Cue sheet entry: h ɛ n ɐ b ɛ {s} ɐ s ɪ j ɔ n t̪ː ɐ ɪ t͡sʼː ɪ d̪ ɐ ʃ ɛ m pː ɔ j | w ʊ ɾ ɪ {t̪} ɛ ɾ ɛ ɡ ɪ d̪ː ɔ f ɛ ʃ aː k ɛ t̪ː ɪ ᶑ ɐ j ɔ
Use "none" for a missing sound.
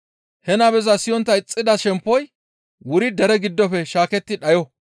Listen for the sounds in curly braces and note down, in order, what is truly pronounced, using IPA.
z, d̪

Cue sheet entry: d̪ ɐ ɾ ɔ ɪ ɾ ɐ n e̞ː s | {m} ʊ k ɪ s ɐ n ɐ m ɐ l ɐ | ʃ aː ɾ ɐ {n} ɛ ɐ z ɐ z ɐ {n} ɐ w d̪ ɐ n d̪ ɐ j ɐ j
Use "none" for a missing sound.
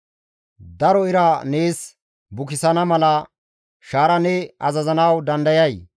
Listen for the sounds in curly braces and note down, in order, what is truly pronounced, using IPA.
b, n, n

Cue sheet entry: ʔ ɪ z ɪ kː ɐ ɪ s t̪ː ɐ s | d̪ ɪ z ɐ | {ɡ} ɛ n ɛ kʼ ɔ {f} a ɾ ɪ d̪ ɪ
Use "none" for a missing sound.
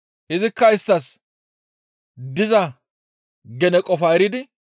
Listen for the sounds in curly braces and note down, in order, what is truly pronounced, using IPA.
ɡ, f

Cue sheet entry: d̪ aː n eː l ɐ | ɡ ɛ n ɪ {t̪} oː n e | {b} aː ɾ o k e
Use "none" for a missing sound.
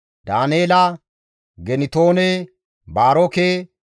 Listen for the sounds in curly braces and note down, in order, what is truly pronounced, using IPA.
t̪, b

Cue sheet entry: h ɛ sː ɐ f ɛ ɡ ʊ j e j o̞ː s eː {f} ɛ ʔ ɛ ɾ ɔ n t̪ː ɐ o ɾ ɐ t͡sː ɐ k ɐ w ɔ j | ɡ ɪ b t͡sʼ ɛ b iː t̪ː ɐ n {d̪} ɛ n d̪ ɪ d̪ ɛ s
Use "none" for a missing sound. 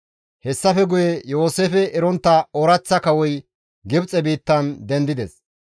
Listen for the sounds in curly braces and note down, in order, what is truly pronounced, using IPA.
f, d̪

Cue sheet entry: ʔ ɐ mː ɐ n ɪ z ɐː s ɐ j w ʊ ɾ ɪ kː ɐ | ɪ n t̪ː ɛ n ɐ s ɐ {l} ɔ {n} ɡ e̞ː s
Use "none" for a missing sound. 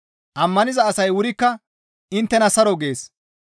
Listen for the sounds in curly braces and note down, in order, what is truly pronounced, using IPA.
ɾ, none

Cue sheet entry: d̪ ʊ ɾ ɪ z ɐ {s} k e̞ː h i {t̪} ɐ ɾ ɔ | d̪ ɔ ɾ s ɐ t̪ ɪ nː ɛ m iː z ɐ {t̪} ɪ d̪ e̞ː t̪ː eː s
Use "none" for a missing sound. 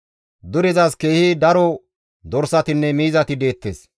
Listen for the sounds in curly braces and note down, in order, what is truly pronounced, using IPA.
s, d̪, t̪

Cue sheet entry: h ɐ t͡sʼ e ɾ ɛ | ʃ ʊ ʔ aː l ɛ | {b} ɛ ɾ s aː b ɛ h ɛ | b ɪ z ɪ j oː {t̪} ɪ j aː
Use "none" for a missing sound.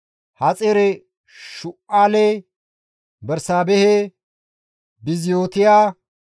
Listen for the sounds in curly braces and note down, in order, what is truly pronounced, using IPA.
b, t̪

